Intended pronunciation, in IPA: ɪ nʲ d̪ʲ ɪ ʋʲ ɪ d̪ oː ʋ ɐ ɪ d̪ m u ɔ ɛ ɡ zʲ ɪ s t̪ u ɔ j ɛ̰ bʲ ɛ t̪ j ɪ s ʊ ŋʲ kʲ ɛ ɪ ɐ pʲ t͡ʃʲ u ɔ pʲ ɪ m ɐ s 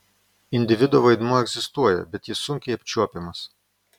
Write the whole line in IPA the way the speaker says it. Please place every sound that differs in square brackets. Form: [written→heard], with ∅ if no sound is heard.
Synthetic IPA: ɪ nʲ d̪ʲ ɪ ʋʲ ɪ d̪ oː ʋ ɐ ɪ d̪ m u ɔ ɛ ɡ zʲ ɪ s t̪ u ɔ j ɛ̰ bʲ ɛ t̪ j ɪ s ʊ ŋʲ kʲ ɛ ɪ ɐ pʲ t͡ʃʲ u ɔ pʲ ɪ m ɐ s